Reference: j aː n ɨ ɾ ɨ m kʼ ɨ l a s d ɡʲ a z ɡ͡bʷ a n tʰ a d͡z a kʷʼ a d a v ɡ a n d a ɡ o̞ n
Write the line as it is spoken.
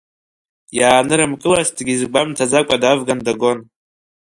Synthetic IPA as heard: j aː n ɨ ɾ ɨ m kʼ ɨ l a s d ɡʲ i z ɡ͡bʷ a m tʰ a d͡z a kʷʼ a d a v ɡ a n d a ɡ o̞ n

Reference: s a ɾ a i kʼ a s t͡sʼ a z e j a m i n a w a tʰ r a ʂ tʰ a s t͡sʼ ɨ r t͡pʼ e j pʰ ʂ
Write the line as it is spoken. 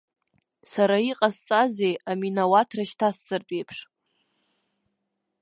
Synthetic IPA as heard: s a ɾ a i qʼ a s t͡sʼ a z e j a m i n a w a tʰ r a ʃ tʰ a s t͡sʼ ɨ r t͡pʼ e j pʰ ʂ

